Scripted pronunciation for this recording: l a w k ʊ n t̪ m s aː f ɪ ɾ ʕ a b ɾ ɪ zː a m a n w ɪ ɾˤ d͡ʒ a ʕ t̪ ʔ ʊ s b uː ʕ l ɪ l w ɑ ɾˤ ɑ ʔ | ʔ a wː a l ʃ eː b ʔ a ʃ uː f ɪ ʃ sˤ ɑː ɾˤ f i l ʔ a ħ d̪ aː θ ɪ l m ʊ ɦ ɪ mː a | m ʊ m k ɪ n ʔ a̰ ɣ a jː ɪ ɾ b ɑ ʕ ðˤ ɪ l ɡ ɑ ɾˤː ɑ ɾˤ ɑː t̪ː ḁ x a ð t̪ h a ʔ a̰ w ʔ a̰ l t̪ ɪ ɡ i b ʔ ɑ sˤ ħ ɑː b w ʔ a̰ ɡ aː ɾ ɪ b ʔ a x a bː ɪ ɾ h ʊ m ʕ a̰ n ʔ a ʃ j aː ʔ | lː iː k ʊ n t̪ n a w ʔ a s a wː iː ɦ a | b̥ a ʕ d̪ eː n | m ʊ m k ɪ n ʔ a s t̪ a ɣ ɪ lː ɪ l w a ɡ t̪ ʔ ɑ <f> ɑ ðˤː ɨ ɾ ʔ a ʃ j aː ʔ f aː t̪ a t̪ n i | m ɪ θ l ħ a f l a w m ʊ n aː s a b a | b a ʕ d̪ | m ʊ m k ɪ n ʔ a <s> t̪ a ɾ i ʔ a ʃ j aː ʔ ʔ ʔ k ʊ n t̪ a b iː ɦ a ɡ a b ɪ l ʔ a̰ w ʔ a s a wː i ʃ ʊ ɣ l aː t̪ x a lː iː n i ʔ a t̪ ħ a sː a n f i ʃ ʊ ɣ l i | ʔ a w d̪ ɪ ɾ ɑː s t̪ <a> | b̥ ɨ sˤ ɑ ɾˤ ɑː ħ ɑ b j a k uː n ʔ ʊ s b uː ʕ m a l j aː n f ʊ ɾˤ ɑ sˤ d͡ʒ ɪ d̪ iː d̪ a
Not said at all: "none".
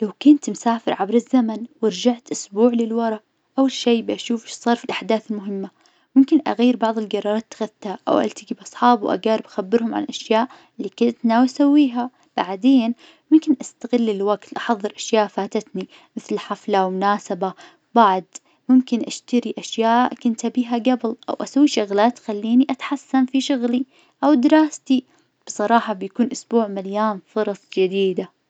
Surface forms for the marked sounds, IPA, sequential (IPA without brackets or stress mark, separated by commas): ħ, ʃ, i